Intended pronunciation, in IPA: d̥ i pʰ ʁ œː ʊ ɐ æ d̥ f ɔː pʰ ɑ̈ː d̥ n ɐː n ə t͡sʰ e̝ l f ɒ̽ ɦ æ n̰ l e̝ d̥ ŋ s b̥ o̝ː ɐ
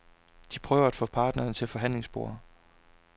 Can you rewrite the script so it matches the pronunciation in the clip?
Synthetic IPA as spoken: d̥ i pʰ ʁ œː ʊ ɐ æ d̥ f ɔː pʰ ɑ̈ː d̥ n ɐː n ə t͡sʰ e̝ l f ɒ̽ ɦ æ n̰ l e̝ ŋ s b̥ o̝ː ɐ